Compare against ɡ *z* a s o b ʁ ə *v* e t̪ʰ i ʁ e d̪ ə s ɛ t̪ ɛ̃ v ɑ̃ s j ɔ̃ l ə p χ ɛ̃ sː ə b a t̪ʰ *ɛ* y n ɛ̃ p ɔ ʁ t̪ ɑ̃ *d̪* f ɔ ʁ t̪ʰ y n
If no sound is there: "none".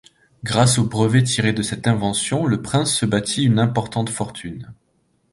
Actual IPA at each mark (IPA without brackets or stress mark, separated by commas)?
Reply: ʁ, v, i, t̪